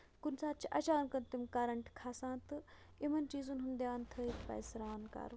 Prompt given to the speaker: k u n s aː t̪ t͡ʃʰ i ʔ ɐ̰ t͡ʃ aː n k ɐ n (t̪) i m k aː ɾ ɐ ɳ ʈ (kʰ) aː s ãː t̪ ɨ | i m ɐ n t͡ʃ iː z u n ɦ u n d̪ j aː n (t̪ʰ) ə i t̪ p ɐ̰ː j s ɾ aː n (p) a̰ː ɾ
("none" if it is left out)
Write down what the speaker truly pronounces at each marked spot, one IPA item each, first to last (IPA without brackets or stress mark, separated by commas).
t̪, kʰ, t̪ʰ, k